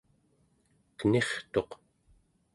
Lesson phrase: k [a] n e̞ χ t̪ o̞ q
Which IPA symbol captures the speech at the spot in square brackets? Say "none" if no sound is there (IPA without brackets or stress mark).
ə